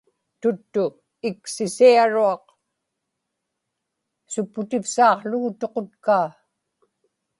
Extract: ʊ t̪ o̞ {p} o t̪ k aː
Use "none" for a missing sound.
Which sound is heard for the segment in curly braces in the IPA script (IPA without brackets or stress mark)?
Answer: q